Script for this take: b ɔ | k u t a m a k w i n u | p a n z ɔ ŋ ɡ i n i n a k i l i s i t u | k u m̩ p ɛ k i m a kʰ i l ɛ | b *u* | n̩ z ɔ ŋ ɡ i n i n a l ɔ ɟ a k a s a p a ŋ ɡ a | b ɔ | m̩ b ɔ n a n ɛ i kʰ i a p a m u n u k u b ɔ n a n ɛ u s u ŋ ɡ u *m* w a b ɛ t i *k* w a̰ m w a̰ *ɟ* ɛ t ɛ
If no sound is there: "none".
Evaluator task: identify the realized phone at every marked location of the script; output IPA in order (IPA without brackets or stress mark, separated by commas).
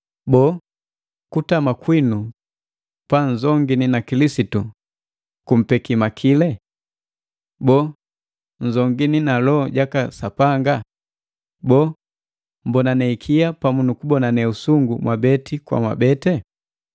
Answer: ɔ, m, k, b